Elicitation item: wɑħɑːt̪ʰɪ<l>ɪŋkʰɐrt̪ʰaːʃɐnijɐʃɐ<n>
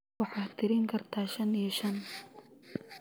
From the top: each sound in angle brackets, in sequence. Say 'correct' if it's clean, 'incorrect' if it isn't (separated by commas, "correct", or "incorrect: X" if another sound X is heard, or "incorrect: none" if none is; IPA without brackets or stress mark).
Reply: incorrect: ɾ, correct